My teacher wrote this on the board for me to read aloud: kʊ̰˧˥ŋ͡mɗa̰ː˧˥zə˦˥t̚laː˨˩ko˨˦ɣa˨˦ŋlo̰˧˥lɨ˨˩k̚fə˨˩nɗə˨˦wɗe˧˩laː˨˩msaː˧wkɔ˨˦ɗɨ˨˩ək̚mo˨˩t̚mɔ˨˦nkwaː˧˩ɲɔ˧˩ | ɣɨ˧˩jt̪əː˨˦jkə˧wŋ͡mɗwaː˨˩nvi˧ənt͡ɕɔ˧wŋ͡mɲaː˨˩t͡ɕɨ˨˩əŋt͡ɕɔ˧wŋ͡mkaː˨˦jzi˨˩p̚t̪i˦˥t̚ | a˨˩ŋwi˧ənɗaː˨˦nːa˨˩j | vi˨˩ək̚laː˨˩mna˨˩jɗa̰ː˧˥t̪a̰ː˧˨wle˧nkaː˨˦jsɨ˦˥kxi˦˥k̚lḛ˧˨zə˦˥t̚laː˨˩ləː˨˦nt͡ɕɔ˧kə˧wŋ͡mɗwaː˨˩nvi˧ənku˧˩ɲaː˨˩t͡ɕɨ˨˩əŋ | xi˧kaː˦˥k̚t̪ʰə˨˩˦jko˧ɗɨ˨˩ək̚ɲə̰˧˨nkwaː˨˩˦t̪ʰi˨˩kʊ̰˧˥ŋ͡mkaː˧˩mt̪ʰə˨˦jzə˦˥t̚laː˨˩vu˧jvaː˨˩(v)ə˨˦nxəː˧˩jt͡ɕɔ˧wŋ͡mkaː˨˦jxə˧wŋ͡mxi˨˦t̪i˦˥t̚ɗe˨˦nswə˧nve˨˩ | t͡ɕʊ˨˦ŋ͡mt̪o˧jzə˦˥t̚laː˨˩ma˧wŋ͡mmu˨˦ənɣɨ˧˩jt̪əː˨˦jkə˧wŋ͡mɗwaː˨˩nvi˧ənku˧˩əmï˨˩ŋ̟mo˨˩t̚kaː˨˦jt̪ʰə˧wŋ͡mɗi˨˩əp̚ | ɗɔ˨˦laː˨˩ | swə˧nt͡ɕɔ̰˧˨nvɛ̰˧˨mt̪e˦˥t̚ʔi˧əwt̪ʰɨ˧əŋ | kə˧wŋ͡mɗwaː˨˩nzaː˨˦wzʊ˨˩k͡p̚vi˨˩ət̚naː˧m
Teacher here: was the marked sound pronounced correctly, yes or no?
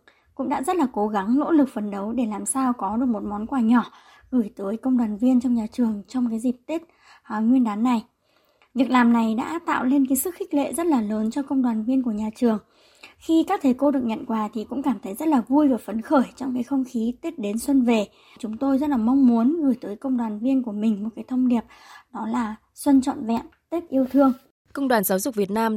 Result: no